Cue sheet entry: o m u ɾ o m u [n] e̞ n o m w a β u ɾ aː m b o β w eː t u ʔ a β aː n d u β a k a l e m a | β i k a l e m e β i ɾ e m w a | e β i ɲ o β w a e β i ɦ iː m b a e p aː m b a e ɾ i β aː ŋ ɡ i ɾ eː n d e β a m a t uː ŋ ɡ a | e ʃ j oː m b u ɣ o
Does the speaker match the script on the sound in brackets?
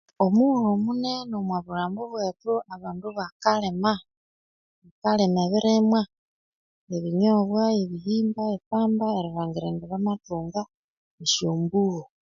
yes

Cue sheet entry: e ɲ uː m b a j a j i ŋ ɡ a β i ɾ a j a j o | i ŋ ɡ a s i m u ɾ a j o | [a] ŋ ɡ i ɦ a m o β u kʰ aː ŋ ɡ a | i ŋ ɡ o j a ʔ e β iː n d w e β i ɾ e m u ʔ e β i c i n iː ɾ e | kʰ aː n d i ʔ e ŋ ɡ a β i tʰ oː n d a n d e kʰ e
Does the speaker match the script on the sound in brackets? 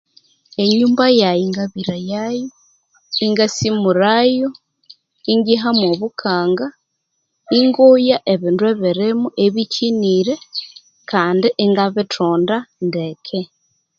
no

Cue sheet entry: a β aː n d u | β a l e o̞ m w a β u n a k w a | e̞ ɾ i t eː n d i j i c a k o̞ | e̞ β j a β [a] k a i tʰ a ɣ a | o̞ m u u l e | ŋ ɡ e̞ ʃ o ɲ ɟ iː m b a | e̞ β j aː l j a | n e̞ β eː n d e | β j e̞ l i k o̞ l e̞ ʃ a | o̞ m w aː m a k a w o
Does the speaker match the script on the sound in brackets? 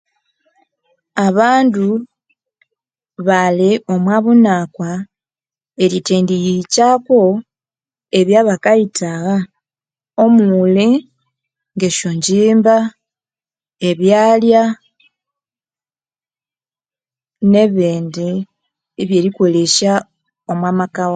yes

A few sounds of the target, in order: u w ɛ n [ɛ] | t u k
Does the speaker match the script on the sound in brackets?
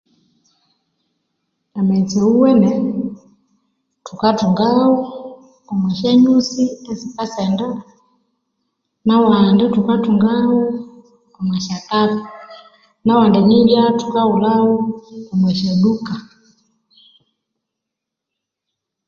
yes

